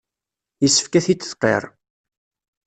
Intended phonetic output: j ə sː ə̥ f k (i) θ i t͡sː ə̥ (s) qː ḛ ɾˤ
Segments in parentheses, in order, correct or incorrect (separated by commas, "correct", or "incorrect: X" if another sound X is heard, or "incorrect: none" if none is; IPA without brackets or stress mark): incorrect: æ, incorrect: θ